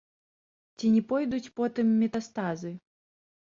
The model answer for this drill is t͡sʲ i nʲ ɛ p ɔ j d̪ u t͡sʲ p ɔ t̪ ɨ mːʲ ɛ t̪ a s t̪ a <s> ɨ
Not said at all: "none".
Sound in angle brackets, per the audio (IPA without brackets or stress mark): z